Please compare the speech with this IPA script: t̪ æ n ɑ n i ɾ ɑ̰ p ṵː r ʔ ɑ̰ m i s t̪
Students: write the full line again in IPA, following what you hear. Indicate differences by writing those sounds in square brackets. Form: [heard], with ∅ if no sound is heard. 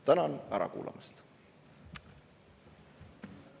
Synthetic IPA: t̪ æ n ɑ n [æ] ɾ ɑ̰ [k] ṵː [l] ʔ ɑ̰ m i s t̪